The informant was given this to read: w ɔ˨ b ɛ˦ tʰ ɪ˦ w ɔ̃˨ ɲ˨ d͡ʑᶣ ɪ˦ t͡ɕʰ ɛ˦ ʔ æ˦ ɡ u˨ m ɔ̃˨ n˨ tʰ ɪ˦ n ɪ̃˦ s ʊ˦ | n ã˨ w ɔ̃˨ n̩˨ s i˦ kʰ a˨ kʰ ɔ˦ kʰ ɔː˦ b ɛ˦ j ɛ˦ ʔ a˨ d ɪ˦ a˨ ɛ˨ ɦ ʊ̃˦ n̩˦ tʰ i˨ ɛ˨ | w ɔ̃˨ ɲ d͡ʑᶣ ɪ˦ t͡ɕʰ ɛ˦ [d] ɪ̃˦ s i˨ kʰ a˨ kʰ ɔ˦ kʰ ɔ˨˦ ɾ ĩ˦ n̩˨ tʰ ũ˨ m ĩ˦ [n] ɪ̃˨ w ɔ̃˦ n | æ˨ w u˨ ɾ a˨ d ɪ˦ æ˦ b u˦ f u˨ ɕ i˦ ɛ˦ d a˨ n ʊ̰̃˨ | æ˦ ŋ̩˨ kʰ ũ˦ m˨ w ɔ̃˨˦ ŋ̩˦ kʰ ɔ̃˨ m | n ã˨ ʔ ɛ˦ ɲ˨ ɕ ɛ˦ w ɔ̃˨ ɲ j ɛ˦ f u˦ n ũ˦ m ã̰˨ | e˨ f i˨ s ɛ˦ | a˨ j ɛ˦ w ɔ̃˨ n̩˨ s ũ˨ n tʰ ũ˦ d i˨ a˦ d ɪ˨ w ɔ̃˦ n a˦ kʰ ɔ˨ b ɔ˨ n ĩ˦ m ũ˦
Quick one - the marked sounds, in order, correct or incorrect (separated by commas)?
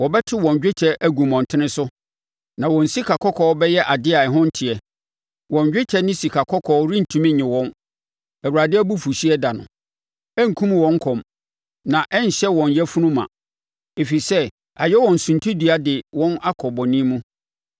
incorrect, incorrect